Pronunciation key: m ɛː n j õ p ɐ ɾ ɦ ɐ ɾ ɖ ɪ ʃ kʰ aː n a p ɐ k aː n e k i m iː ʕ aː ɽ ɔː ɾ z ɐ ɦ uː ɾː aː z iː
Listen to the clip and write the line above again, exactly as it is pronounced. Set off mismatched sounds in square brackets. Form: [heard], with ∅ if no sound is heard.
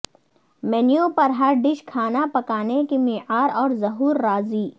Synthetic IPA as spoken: m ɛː n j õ p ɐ ɾ ɦ ɐ ɾ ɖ ɪ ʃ kʰ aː n a p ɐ k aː n e k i m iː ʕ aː [ɾ] ɔː ɾ z ɐ ɦ uː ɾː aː z iː